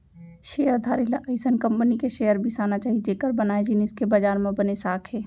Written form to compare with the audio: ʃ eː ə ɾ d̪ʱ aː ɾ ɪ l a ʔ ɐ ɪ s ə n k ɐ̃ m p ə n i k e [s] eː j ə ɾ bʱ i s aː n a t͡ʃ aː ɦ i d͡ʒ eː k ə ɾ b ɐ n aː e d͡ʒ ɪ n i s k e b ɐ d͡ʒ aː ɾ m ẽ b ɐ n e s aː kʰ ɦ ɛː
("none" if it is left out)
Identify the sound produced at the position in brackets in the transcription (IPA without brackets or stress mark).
ʃ